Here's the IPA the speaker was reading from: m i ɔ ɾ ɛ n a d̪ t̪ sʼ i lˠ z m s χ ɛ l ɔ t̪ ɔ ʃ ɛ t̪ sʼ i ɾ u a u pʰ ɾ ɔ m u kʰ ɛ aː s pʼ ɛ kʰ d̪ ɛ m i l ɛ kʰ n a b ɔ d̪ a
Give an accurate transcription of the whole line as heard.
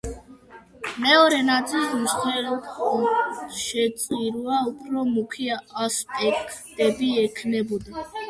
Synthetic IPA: m ɛ ɔ ɾ ɛ n a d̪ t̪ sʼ i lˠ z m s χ ɛ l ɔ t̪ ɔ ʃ ɛ t̪ sʼ i ɾ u a u pʰ ɾ ɔ m u kʰ i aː s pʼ ɛ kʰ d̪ ɛ b i ɛ kʰ n ɛ b ɔ d̪ a